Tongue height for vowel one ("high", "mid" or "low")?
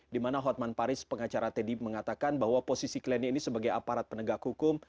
high